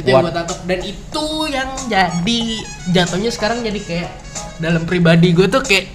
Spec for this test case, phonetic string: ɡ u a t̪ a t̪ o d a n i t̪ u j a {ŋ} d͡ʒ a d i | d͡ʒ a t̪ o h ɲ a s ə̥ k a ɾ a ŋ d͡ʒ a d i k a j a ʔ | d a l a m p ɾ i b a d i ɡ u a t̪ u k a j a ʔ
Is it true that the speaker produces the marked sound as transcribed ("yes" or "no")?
yes